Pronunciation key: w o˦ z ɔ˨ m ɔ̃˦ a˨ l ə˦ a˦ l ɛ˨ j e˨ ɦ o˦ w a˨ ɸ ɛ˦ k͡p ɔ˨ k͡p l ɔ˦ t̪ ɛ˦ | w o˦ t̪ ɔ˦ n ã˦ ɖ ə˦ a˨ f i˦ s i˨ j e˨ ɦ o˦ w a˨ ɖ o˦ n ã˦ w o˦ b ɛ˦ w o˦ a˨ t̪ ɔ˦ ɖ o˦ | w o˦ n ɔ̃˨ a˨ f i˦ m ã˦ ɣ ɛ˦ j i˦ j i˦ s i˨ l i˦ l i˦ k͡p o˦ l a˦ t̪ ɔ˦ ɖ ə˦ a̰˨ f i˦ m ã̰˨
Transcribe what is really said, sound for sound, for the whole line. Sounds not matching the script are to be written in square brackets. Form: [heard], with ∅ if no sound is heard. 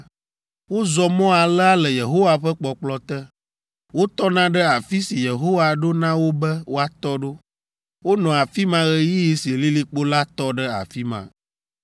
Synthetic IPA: w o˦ z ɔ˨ m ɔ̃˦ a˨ l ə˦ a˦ l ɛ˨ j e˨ ɦ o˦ w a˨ ɸ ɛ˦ k͡p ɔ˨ k͡p l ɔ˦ t̪ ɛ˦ | w o˦ t̪ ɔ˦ n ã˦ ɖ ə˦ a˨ f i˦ s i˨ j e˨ ɦ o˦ w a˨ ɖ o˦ n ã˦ w o˦ b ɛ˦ w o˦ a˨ t̪ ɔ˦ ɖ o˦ | w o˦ n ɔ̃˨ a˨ f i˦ m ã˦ ɣ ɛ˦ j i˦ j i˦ s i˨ l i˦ l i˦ k͡p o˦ l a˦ t̪ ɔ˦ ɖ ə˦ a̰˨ f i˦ m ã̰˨